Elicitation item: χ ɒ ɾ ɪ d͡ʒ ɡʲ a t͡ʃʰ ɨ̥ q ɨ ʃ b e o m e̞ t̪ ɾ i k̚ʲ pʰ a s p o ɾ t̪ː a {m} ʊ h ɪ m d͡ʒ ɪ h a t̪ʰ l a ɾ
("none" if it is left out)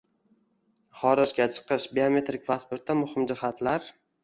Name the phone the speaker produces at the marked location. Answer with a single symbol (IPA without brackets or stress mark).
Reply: m